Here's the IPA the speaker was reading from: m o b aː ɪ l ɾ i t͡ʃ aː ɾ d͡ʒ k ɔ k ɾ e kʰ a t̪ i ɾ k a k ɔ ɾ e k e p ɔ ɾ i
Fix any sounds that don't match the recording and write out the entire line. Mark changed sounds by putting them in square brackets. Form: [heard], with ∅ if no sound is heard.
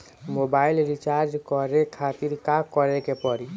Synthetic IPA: m o b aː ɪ l ɾ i t͡ʃ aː ɾ d͡ʒ k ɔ [∅] ɾ e kʰ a t̪ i ɾ k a k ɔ ɾ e k e p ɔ ɾ i